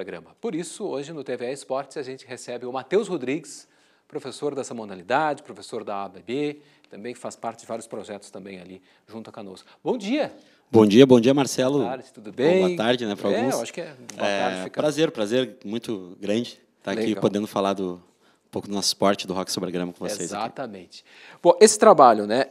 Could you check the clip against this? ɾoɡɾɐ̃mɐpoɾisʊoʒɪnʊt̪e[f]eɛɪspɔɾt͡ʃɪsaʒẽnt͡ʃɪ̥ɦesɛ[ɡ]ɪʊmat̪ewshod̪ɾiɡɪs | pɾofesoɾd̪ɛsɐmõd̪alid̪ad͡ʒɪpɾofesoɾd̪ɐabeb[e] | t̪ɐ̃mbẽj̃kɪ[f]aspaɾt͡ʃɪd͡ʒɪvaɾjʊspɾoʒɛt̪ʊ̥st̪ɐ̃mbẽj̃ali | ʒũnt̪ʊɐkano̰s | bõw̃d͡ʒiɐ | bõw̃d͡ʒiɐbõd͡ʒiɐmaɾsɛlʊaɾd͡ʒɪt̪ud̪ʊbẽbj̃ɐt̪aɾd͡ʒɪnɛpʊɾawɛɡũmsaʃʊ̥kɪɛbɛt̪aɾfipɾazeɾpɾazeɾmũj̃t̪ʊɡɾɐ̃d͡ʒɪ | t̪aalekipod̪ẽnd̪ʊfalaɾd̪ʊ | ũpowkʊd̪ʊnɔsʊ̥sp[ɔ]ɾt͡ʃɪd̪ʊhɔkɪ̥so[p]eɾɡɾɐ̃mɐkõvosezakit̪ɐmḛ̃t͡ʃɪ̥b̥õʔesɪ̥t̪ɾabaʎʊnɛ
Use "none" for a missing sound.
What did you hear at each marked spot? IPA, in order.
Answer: v, b, e, f, ɔ, b

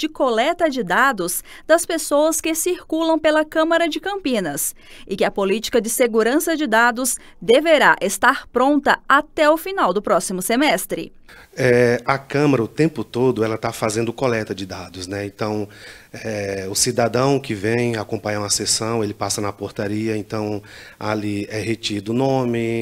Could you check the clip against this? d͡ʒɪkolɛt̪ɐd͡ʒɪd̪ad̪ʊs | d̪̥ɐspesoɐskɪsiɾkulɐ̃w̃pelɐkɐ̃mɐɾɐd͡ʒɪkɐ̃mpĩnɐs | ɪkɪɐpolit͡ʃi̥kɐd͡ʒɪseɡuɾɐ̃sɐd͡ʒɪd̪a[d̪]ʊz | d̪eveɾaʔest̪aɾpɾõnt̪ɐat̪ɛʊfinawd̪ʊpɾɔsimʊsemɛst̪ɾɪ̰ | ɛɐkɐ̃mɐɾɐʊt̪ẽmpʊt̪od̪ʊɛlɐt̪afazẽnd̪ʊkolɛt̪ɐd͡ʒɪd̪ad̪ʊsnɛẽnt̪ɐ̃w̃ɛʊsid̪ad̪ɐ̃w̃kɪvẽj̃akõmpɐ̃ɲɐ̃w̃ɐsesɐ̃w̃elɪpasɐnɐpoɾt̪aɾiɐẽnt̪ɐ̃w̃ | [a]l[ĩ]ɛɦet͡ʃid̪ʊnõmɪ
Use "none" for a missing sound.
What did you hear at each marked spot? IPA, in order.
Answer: d̪, a, i

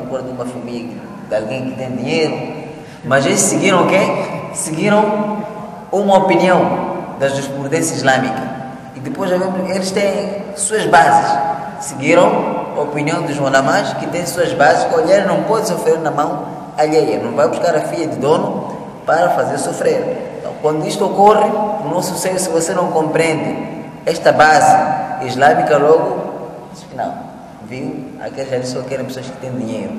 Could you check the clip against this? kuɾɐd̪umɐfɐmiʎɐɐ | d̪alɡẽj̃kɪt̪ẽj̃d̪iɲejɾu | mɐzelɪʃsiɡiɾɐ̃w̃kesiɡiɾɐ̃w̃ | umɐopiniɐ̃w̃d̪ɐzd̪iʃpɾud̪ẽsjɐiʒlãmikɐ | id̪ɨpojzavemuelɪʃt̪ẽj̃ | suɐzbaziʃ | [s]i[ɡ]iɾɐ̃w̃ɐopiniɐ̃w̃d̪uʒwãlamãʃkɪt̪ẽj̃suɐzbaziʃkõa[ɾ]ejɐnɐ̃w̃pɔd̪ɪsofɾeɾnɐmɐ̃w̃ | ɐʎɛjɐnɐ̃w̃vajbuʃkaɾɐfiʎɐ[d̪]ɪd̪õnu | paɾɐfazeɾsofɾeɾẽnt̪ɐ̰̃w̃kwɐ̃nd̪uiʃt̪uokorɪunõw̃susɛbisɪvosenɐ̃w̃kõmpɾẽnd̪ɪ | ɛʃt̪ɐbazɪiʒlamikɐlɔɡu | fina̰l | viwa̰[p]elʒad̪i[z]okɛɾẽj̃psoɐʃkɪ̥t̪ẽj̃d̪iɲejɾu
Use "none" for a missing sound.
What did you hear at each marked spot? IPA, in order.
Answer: s, ɡ, ʎ, d̪, k, s

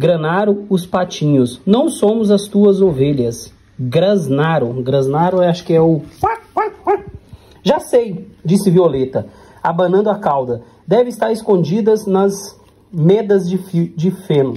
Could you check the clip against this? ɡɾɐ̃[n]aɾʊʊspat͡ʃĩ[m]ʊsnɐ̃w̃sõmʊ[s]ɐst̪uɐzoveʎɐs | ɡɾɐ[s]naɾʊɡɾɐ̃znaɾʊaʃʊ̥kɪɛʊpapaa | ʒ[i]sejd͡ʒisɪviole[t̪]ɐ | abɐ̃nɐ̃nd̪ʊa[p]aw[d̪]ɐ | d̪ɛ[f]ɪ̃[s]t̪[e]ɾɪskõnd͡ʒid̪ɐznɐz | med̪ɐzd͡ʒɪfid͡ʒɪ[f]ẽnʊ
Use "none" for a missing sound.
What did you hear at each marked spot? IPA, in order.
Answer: n, ɲ, z, z, a, t̪, k, d̪, v, s, a, f

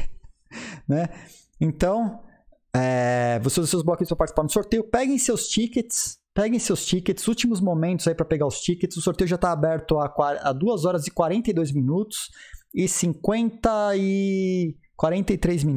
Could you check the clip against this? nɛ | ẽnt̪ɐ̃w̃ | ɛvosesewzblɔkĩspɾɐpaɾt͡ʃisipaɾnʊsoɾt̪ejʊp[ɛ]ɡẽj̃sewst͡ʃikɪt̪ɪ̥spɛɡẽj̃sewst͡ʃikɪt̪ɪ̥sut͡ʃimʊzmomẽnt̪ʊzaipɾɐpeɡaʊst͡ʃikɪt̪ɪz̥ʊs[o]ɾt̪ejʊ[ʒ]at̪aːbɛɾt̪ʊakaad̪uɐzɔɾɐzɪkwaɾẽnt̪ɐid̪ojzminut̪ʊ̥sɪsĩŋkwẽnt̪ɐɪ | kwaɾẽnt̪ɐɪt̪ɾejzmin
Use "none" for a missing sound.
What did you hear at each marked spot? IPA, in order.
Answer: ɛ, o, ʒ

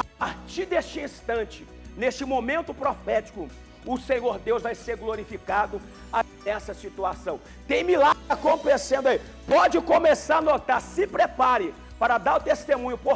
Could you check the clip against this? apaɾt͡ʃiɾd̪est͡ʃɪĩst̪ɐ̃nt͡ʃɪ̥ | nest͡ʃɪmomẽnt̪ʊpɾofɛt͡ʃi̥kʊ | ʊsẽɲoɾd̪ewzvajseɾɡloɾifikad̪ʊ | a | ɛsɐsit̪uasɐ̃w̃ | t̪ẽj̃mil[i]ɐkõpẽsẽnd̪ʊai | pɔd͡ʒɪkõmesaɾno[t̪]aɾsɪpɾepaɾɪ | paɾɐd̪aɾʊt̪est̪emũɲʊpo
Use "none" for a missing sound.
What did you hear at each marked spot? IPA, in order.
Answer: a, t̪

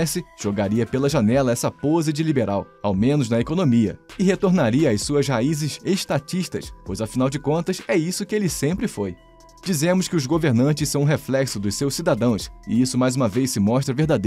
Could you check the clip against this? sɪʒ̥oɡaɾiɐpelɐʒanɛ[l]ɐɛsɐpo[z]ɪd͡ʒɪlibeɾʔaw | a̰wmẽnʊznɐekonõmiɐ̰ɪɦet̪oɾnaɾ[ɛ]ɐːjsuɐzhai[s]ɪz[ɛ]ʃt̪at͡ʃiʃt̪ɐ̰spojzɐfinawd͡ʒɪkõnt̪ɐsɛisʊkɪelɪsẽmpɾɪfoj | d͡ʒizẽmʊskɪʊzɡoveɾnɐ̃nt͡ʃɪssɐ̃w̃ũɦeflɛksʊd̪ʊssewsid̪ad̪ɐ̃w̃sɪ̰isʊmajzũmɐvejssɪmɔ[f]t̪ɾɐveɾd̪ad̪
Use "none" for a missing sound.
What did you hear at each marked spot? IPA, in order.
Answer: l, z, i, z, e, ʃ

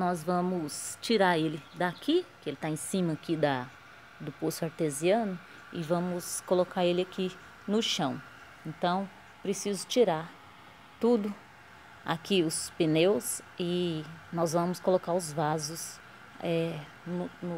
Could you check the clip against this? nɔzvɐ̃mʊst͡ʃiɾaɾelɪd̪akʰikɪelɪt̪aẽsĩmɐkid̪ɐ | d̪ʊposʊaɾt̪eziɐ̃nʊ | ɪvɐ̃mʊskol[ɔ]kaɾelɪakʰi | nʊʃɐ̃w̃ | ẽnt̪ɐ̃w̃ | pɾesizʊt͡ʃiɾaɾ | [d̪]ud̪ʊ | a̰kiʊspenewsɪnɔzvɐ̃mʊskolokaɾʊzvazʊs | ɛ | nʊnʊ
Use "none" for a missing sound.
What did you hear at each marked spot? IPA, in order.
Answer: o, t̪

